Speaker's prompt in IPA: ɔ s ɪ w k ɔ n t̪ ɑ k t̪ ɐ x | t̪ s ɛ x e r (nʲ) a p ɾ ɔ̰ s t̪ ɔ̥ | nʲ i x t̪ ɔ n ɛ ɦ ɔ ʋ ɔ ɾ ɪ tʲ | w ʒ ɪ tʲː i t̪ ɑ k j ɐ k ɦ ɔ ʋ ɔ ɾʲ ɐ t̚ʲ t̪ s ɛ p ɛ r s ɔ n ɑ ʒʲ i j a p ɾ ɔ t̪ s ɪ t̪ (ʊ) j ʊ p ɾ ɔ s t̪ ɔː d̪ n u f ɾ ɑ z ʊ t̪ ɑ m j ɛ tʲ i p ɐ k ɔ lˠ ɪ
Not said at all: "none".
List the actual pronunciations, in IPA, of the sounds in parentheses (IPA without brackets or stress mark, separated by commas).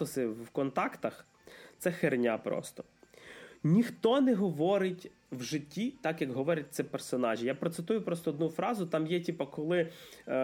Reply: nʲ, u